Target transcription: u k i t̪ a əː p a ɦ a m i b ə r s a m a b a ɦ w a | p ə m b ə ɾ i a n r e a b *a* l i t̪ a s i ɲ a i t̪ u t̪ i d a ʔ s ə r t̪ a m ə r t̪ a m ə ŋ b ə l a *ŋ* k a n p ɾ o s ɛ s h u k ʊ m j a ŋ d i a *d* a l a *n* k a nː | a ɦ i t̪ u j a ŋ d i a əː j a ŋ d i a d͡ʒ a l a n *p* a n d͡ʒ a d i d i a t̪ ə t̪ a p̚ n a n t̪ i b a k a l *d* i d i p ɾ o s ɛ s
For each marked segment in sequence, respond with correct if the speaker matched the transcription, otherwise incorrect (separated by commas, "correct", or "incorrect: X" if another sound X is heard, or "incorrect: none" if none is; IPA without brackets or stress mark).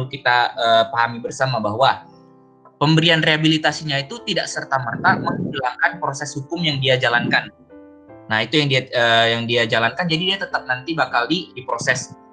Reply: incorrect: i, correct, incorrect: d͡ʒ, correct, incorrect: k, correct